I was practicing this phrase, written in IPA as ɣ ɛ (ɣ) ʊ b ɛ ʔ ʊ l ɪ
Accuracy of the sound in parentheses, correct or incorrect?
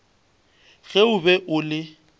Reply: incorrect